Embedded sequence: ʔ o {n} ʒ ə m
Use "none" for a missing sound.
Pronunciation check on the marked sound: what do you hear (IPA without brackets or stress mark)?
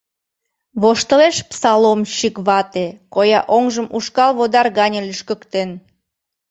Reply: ŋ